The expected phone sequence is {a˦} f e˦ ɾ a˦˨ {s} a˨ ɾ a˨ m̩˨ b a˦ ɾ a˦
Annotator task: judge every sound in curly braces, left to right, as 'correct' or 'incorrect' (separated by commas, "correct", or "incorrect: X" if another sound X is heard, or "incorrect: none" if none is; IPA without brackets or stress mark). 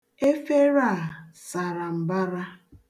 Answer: incorrect: e˦, correct